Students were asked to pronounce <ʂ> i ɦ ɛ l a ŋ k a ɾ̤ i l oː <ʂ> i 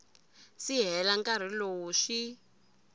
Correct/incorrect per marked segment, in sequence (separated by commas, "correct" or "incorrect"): incorrect, correct